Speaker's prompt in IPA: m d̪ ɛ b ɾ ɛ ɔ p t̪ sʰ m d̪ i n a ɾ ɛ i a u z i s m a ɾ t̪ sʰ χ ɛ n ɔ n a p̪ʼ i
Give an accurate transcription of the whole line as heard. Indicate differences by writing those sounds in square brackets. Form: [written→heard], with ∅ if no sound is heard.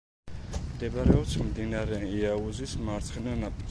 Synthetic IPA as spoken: m d̪ ɛ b ɾ ɛ ɔ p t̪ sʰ m d̪ i n a ɾ ɛ i a u z i s m a ɾ t̪ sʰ χ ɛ n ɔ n a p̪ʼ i